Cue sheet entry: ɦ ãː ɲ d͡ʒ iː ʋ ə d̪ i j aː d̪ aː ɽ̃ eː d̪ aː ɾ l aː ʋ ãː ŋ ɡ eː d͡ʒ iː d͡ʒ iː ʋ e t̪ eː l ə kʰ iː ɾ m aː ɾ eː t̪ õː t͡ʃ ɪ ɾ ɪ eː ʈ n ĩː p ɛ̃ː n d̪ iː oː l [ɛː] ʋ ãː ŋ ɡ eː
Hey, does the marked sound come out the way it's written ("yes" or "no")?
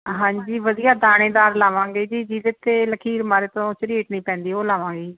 no